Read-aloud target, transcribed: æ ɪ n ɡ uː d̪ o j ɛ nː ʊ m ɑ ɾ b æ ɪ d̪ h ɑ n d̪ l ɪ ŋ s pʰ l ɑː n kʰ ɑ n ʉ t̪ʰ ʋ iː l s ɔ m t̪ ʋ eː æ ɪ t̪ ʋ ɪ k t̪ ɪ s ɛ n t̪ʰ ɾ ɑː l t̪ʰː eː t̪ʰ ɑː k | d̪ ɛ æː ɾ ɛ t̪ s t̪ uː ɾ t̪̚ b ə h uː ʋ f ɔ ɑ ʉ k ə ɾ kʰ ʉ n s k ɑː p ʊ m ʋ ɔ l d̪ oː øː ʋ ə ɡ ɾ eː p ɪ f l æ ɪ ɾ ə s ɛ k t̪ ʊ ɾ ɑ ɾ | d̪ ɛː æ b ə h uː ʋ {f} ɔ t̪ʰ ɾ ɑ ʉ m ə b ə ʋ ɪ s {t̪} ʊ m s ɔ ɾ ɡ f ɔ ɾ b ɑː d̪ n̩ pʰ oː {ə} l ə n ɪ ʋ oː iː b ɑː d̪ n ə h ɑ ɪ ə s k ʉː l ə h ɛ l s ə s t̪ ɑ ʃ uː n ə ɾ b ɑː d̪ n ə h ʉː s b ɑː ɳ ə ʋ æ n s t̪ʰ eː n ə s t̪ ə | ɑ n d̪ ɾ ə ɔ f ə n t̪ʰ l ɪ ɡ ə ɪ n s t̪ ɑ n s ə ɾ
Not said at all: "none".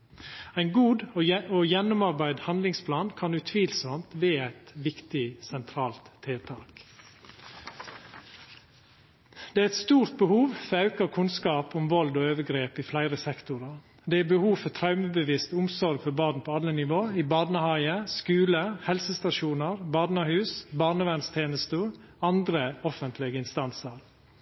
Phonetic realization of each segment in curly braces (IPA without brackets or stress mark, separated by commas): f, t̪, ɑ